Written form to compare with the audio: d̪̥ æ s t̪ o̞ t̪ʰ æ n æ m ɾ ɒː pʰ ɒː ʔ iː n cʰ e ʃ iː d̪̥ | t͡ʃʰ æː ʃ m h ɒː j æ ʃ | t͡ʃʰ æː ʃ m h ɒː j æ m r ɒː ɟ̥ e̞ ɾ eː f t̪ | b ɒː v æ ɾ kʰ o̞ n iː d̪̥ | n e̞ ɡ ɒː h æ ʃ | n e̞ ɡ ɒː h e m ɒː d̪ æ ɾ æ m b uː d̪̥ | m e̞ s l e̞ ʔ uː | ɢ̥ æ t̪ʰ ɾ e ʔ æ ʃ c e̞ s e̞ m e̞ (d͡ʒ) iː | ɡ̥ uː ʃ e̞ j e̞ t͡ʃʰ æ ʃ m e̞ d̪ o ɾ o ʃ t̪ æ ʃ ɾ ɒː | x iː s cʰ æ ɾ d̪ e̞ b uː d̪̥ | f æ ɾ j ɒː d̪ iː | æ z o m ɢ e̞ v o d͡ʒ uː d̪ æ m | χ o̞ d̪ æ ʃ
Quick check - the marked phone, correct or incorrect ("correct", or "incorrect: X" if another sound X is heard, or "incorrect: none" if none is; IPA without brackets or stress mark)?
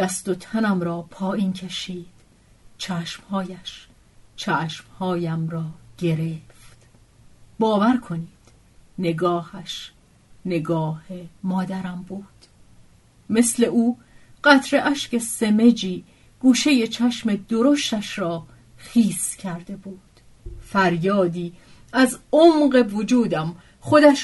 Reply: correct